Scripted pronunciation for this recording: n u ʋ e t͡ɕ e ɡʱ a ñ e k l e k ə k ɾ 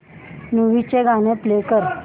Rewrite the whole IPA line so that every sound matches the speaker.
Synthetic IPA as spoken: n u ʋ i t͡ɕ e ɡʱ a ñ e p l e k ə ɾ